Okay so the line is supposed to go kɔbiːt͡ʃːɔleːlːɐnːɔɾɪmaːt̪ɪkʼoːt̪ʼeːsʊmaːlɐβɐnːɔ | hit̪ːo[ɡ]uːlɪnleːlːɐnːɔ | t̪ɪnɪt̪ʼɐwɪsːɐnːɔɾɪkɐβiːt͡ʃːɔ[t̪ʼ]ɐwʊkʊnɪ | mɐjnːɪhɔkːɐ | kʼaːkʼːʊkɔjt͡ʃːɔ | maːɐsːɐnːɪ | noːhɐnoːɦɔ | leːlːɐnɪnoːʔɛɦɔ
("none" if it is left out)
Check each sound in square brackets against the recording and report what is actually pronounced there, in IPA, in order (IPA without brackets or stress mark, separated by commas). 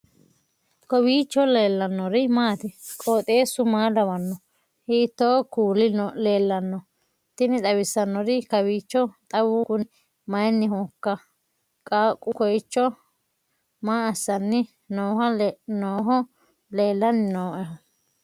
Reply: k, t̪ʼ